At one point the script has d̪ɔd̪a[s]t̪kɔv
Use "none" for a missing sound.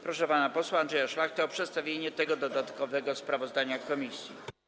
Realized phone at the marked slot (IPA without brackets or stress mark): none